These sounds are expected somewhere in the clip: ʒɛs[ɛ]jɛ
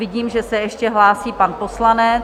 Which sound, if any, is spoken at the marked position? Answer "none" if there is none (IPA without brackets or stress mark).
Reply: ɛ